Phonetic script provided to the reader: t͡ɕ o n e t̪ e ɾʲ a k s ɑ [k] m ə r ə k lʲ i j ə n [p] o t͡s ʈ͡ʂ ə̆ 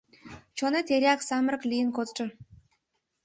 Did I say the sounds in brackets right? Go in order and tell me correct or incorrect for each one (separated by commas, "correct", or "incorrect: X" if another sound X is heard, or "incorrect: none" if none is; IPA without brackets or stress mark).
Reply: incorrect: none, incorrect: k